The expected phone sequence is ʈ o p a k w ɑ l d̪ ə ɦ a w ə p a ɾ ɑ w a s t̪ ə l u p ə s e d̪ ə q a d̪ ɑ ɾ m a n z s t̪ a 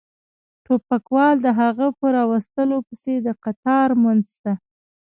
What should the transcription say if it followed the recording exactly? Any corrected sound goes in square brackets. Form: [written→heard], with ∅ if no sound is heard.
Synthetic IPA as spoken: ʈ o p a k w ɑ l d̪ ə ɦ a [w→ɣ] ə p [a→ə] ɾ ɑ w a s t̪ ə l [u→o] p ə s e d̪ ə q a [d̪→t̪] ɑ ɾ m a n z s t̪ a